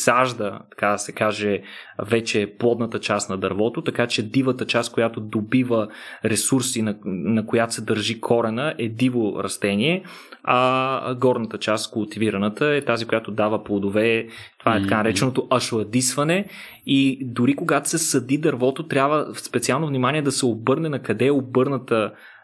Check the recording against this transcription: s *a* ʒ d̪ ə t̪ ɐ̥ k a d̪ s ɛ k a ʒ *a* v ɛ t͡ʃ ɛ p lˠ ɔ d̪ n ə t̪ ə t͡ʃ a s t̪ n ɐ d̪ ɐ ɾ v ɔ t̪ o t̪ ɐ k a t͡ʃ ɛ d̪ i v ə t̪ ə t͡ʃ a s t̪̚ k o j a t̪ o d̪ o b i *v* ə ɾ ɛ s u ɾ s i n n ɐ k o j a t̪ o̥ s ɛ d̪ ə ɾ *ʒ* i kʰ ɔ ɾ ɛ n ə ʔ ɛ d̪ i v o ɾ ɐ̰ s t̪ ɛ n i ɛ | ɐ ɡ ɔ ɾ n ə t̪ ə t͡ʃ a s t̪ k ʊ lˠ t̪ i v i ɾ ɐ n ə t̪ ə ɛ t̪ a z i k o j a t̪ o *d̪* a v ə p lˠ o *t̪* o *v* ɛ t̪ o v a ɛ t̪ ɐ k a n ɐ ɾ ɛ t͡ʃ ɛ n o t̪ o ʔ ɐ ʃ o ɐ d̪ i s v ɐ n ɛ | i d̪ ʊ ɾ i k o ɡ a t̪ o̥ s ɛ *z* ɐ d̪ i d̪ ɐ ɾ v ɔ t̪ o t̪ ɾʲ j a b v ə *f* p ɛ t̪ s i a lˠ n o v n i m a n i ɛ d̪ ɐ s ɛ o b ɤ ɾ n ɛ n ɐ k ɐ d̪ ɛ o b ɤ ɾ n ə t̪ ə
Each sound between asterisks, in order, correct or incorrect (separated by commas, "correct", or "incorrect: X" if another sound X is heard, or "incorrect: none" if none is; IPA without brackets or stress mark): correct, incorrect: ɛ, correct, correct, correct, incorrect: d̪, correct, incorrect: s, incorrect: s